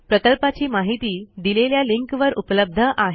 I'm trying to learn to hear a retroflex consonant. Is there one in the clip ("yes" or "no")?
no